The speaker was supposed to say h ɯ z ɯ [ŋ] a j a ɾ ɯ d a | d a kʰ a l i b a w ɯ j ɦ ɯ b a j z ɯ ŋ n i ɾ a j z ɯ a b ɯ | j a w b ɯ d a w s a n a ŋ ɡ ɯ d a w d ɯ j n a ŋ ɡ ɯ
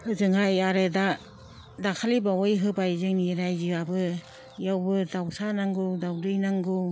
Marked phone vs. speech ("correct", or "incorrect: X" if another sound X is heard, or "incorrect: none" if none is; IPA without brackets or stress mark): correct